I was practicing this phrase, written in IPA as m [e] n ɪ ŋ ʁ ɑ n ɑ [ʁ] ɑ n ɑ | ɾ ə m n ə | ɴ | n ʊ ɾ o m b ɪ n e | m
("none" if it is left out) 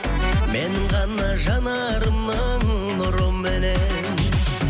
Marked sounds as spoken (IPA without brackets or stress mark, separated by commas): e, ʒ